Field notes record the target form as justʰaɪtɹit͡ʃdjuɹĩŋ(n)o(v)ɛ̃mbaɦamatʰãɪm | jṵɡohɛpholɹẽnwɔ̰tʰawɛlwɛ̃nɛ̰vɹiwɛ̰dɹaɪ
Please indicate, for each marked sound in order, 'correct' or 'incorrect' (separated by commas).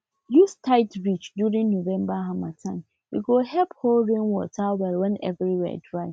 correct, correct